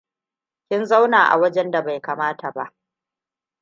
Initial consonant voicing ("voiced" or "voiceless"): voiceless